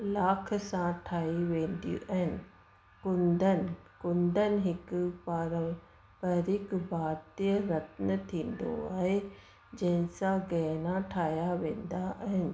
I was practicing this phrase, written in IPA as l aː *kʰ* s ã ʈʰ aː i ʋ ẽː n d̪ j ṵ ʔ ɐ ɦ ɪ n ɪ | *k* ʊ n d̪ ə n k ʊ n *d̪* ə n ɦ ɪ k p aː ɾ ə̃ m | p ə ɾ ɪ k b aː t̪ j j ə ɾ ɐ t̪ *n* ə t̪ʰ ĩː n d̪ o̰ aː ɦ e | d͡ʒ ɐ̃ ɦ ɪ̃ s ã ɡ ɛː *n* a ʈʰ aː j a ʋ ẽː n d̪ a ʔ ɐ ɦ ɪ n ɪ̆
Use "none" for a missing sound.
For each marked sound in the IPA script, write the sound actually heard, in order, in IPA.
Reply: kʰ, k, d̪, n, n

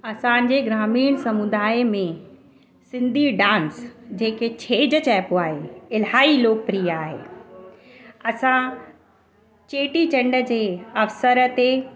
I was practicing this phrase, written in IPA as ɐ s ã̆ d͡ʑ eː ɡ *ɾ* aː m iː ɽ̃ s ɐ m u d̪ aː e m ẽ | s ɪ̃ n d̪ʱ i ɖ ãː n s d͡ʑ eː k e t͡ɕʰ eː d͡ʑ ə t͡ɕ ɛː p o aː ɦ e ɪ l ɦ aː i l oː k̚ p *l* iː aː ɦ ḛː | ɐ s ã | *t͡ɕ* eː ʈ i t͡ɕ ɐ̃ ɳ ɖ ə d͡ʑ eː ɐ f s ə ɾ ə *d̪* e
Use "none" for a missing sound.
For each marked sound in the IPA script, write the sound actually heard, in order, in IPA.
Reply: ɾ, ɾ, t͡ɕ, t̪

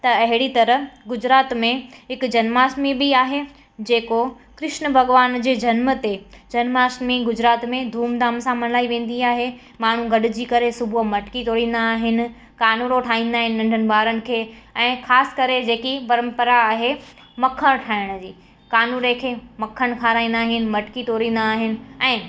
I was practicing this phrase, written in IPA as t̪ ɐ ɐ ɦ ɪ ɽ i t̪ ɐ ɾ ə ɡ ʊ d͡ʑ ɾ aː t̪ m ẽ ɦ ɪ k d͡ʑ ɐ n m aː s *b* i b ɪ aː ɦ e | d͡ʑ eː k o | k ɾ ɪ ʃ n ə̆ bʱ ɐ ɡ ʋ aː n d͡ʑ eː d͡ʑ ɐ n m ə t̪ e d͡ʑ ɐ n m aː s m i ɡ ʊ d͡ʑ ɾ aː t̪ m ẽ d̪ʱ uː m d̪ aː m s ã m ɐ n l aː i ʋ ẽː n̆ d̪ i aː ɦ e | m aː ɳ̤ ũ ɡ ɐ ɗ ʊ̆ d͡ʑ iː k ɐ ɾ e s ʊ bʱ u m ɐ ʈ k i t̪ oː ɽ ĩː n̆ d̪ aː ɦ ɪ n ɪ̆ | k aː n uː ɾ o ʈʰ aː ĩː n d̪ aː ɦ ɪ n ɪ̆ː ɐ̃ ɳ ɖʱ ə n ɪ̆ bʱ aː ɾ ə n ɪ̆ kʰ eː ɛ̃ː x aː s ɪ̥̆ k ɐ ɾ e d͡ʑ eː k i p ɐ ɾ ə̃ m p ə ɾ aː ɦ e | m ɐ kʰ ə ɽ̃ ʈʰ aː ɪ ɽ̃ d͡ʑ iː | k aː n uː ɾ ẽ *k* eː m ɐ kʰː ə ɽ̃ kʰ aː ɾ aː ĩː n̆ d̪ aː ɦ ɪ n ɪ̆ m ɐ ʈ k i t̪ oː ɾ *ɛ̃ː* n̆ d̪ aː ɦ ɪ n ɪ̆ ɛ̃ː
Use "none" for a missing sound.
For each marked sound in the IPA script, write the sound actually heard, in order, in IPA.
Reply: m, kʰ, ĩː

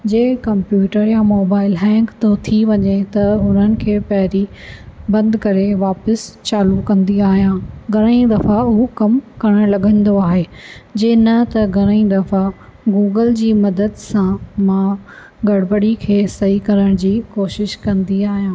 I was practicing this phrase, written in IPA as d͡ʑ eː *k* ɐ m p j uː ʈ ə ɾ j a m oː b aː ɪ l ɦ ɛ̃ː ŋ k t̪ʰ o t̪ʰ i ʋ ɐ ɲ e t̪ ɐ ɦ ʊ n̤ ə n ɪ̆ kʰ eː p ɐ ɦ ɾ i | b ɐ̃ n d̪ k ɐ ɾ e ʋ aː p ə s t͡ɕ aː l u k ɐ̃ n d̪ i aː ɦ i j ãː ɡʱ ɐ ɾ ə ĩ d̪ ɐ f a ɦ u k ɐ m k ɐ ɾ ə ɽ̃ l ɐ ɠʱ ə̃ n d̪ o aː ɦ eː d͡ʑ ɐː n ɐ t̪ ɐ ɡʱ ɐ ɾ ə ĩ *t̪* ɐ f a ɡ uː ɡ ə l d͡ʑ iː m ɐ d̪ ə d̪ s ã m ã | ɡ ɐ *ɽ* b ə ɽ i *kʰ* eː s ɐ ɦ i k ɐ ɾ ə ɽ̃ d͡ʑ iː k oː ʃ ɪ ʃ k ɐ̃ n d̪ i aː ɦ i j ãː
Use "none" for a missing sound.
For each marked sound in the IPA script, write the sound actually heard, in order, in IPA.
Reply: k, d̪, ɽ, kʰ

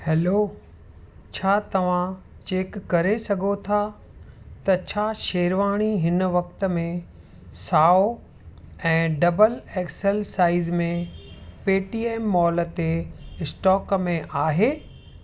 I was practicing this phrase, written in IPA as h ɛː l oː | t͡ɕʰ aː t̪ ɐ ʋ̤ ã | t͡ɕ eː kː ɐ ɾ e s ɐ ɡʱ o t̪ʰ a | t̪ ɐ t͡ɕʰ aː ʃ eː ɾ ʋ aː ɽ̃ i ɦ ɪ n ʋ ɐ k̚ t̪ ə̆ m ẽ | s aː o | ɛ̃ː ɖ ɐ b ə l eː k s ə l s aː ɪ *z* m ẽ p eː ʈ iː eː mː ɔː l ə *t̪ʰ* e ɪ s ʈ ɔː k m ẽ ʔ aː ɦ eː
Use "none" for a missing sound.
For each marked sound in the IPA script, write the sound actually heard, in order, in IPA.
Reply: z, t̪

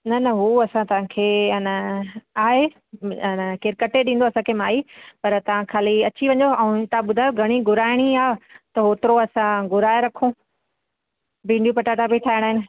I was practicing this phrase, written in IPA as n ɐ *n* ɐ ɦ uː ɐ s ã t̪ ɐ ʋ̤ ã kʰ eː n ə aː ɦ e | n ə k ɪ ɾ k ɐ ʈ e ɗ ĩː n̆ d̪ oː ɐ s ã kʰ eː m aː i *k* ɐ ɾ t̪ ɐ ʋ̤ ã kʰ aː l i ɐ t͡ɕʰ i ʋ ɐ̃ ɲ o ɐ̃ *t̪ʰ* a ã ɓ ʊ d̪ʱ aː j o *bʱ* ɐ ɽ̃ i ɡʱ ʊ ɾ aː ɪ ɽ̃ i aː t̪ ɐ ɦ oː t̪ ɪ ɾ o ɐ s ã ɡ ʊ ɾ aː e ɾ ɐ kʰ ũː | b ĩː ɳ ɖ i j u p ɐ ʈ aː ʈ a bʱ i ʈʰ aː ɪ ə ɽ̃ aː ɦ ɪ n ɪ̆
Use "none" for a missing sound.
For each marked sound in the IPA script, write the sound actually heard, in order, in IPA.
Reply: n, p, t̪, ɡʱ

